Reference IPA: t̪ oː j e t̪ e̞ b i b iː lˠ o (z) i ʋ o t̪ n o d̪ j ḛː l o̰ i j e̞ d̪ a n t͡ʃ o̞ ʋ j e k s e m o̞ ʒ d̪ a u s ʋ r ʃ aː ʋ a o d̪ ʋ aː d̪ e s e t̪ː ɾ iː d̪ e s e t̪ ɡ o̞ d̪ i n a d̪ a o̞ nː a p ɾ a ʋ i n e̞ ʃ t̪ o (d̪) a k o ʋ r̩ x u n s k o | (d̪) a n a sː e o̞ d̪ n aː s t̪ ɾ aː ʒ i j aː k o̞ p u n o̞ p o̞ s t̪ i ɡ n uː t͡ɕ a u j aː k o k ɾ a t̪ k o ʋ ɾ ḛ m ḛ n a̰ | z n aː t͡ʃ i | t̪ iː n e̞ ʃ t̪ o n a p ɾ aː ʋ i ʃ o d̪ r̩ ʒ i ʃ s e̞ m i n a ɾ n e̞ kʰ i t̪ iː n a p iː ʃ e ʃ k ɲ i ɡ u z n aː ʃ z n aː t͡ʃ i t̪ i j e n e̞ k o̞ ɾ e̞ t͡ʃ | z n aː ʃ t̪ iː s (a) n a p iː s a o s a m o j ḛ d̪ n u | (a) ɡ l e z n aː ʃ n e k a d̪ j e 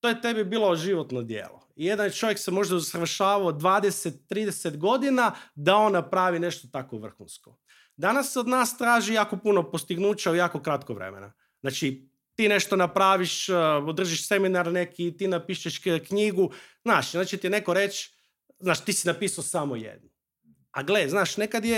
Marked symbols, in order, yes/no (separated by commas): no, no, yes, no, yes